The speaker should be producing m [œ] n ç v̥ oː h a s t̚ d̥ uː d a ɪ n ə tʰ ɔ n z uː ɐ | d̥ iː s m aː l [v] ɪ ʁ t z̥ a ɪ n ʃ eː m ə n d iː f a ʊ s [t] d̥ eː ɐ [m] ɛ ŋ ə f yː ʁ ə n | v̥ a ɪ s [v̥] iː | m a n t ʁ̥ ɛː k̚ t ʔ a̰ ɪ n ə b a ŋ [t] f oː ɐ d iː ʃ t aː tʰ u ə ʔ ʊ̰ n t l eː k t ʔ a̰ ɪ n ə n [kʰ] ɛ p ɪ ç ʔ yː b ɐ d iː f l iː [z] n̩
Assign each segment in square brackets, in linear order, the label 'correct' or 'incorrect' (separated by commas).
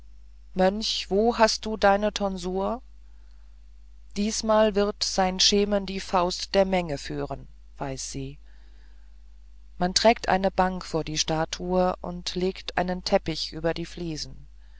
correct, correct, correct, correct, incorrect, incorrect, incorrect, correct